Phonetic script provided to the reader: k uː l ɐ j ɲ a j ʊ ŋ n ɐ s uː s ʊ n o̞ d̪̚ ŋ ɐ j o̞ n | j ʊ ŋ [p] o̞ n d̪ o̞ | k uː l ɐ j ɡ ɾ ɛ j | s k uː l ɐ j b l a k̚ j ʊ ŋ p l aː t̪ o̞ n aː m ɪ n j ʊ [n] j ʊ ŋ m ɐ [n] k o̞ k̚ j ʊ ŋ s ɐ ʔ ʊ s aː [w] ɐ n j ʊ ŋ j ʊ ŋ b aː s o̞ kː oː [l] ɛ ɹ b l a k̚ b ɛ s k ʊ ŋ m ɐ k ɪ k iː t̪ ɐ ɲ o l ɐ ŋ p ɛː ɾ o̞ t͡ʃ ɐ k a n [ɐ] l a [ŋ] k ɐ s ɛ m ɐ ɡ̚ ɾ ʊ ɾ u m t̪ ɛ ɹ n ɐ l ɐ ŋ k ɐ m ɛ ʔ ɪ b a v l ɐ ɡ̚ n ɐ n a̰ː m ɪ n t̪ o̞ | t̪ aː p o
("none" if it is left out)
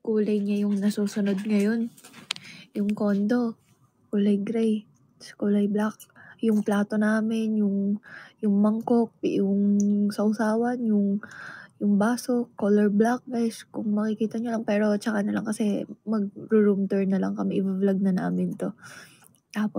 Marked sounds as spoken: k, ŋ, ŋ, w, l, ɐ, ŋ

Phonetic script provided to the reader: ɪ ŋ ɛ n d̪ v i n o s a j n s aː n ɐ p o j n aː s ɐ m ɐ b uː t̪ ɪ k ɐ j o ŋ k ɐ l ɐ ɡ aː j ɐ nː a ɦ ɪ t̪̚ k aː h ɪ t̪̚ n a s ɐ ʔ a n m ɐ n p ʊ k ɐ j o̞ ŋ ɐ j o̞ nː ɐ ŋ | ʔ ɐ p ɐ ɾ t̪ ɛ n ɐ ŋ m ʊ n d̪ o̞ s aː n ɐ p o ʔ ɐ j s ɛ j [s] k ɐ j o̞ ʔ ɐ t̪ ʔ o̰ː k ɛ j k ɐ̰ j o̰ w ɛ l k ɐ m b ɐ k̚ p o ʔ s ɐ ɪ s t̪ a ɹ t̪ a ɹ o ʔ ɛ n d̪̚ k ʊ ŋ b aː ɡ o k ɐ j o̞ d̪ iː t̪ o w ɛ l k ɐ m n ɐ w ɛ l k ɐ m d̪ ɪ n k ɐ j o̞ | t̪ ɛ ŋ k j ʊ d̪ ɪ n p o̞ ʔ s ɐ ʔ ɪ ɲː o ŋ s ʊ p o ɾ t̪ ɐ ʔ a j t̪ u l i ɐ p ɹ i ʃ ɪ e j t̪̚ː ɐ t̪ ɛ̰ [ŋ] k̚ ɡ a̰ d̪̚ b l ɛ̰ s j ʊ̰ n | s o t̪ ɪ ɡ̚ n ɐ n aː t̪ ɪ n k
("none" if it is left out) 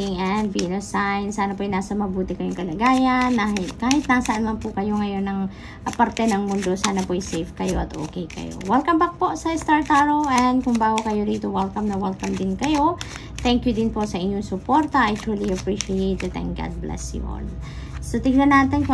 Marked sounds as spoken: f, ŋ

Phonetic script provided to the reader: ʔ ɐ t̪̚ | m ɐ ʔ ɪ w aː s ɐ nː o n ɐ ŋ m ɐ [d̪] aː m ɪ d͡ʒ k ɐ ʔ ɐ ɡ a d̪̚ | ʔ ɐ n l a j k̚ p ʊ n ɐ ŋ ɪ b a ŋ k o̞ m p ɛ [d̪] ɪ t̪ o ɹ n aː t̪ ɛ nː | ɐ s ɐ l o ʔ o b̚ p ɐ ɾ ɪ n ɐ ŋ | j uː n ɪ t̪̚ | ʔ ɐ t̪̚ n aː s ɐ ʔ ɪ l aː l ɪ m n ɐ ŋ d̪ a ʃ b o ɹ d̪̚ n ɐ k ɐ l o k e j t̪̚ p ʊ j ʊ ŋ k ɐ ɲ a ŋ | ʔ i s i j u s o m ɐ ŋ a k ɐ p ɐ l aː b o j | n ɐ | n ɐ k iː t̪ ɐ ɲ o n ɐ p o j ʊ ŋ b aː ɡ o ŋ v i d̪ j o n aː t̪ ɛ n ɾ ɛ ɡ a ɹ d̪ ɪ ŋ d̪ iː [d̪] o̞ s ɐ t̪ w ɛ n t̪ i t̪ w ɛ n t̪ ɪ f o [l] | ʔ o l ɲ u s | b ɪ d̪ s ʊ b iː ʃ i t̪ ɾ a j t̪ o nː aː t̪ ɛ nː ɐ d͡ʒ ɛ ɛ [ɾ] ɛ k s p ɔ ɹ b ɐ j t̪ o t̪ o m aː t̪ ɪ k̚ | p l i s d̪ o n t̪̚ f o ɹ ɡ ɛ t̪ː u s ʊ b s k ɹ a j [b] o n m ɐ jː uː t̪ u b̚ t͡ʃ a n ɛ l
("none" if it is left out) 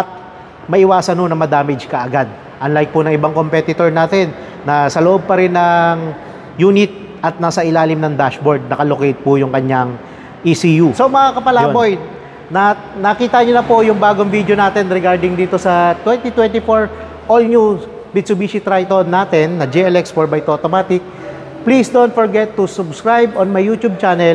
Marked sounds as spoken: d̪, t̪, t̪, ɹ, l, b

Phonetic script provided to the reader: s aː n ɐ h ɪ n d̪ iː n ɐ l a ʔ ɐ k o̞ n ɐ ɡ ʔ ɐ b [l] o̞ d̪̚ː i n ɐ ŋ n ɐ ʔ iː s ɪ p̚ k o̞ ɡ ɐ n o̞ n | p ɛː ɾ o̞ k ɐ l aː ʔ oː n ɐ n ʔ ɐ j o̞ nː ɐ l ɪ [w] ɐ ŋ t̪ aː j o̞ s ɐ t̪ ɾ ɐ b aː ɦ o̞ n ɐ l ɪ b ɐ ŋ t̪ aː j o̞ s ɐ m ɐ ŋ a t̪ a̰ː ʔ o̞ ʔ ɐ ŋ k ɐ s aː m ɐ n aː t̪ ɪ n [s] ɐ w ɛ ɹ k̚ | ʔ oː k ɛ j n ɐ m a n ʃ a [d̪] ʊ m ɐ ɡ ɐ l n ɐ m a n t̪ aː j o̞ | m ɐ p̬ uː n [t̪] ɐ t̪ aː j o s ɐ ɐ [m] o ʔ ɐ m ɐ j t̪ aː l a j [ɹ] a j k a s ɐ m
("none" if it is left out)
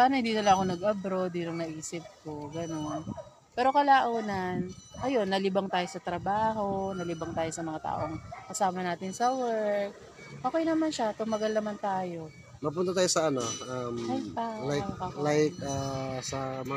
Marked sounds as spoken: ɾ, b, s, t̪, t̪, n, l

